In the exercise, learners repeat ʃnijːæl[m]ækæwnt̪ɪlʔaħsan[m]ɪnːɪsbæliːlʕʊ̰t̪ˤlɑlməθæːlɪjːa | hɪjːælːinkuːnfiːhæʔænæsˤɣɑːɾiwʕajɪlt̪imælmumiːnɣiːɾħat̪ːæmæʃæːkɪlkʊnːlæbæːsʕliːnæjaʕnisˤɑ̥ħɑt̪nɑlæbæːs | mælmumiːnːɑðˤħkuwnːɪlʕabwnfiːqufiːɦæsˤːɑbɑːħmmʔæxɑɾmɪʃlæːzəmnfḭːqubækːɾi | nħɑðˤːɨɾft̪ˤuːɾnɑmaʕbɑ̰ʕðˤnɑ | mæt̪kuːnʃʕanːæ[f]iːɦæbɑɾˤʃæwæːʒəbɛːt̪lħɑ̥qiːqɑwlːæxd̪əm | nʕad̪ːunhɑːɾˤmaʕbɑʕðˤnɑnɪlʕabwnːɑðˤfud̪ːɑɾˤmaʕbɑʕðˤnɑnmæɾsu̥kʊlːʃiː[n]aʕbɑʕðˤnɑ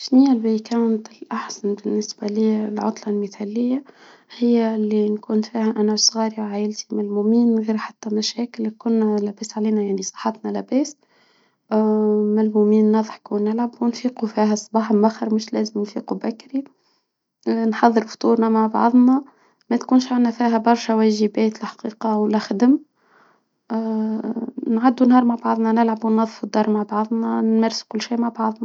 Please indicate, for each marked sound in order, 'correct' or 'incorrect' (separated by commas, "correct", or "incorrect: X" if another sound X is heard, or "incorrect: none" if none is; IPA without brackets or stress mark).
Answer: incorrect: b, incorrect: b, correct, incorrect: m